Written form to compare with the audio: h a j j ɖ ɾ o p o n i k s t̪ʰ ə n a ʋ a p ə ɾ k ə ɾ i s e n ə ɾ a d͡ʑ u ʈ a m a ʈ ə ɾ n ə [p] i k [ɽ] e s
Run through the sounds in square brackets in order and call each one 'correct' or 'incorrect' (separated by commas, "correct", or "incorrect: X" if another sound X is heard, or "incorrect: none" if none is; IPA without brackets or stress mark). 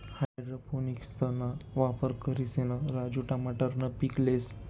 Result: correct, incorrect: l